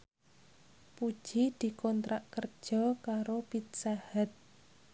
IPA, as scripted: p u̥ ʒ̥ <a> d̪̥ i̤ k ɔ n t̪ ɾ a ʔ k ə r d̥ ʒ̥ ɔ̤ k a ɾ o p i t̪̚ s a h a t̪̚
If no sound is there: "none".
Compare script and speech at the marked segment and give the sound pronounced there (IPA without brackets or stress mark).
i